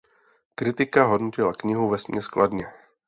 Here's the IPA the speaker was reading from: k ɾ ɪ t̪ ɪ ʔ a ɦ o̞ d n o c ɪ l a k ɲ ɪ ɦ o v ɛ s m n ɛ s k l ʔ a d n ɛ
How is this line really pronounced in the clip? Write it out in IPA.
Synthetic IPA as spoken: k ɾ ɪ t̪ ɪ k a ɦ o̞ d n o c ɪ l a k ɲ ɪ ɦ u v ɛ s m ɲ ɛ s k l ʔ a d ɲ ɛ